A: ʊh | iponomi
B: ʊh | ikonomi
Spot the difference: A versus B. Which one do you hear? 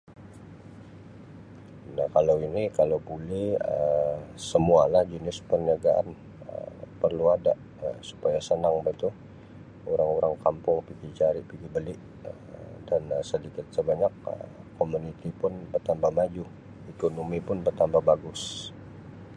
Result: B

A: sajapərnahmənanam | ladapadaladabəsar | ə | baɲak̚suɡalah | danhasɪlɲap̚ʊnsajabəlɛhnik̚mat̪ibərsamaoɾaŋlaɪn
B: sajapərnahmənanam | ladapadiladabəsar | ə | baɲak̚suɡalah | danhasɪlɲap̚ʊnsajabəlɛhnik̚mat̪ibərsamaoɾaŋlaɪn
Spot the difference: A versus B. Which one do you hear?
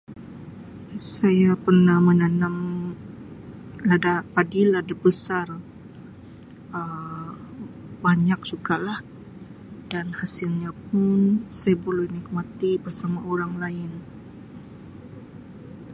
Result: B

